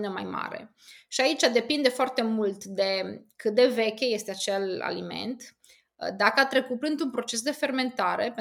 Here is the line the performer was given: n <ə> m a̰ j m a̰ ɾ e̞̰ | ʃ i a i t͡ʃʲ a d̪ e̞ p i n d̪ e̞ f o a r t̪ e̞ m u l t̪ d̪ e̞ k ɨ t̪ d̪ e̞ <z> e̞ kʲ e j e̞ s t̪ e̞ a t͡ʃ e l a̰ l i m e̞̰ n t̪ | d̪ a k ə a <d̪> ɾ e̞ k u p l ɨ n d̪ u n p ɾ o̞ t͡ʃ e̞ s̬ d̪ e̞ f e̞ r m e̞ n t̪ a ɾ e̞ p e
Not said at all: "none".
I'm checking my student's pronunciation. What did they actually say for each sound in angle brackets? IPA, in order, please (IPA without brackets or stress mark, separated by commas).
ə, v, t̪